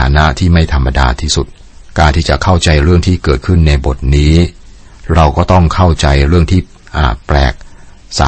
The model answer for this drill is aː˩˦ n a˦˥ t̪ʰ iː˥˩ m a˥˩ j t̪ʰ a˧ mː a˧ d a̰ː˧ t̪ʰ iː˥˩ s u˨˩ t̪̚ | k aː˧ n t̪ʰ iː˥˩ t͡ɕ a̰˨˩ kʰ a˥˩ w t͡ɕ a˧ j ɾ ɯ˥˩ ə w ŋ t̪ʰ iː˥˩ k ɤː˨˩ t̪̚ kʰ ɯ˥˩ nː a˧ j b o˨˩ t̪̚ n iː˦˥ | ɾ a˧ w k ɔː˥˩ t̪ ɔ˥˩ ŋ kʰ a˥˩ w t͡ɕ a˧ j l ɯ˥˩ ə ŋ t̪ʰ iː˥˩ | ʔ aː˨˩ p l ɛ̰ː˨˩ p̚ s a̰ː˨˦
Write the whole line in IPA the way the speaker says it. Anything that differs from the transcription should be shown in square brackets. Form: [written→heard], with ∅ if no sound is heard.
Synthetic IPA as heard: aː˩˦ n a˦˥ t̪ʰ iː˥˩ m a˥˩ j t̪ʰ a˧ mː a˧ d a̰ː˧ t̪ʰ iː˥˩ s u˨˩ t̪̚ | k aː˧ n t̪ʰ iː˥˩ t͡ɕ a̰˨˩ kʰ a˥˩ w t͡ɕ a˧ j ɾ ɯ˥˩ ə [w→∅] ŋ t̪ʰ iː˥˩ k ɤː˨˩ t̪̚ kʰ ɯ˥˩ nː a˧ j b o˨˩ t̪̚ n iː˦˥ | ɾ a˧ w k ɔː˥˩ t̪ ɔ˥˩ ŋ kʰ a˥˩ w t͡ɕ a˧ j [l→ɾ] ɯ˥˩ ə ŋ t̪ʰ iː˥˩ | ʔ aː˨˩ p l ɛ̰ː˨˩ [p̚→k̚] s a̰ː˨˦